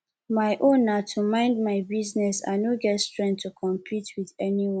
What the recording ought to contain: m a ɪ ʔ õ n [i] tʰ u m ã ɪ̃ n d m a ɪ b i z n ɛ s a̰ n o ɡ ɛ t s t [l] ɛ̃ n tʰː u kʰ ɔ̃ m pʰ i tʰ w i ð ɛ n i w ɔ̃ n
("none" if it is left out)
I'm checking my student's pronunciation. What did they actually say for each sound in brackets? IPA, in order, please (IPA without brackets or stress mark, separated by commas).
a, ɹ